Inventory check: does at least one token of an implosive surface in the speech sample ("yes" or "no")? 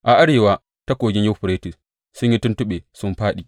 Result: yes